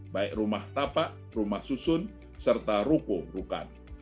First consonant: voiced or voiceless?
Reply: voiced